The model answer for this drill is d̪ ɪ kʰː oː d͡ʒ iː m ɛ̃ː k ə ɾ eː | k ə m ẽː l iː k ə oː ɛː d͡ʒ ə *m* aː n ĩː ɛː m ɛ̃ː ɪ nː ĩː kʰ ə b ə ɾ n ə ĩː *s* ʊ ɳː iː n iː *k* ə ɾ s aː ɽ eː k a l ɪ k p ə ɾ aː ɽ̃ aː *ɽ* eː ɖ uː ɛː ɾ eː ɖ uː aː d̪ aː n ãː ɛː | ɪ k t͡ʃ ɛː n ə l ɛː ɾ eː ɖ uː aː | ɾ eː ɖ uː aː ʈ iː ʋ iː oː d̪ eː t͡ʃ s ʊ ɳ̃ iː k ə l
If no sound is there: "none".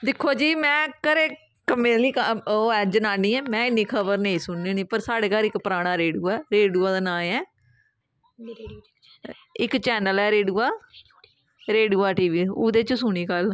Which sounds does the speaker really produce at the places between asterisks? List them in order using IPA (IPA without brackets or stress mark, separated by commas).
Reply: n, s, p, ɾ